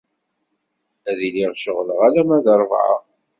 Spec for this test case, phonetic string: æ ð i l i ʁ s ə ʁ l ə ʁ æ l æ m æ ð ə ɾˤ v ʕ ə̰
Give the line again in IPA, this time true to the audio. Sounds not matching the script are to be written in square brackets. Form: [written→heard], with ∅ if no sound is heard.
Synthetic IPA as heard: æ ð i l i ʁ [s→ʃ] ə ʁ l ə ʁ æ l æ m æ ð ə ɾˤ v ʕ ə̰

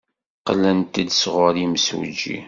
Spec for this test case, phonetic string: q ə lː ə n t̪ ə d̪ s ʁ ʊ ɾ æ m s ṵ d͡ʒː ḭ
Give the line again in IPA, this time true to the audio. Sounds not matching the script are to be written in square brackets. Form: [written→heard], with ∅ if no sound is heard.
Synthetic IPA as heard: q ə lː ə n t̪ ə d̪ s ʁ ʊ ɾ [æ→i] m s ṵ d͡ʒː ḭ

